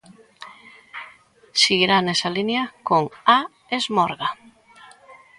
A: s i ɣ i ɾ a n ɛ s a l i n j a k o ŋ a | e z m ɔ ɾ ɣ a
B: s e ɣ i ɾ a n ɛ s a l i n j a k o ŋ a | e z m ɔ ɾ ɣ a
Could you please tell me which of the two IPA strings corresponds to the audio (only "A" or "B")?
A